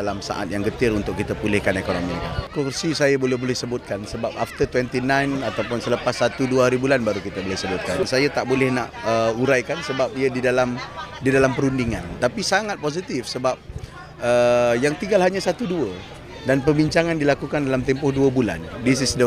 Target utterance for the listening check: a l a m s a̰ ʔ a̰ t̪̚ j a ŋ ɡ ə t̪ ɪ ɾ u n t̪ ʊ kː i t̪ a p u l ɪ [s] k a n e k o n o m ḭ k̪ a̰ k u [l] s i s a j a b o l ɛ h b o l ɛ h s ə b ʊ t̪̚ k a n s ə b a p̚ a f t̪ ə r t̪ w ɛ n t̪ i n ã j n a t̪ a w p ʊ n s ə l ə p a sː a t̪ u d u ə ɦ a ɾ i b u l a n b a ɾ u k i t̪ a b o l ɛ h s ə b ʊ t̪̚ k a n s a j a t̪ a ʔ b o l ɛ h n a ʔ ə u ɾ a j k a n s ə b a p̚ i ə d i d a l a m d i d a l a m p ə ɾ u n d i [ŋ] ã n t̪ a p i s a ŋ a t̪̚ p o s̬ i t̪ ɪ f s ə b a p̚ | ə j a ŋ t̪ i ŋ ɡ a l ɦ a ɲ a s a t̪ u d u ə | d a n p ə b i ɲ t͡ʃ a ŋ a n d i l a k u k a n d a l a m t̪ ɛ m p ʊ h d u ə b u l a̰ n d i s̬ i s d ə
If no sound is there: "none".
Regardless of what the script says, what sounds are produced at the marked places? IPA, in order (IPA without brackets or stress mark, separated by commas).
h, r, ŋ